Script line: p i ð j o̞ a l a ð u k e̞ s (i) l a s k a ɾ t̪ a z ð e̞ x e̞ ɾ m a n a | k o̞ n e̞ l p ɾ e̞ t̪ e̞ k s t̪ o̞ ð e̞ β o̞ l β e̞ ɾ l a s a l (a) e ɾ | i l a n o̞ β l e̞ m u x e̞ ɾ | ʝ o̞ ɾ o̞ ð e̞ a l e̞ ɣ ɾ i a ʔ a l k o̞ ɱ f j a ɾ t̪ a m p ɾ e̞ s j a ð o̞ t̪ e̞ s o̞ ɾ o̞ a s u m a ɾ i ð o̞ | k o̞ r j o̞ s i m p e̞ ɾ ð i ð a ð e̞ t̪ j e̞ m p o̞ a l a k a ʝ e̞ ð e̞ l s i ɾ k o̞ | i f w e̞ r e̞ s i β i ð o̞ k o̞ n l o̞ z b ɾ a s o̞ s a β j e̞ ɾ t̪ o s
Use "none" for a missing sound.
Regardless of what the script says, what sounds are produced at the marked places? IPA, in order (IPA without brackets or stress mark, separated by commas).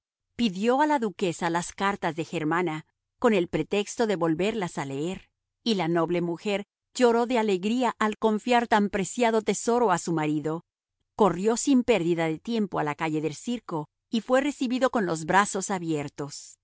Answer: a, e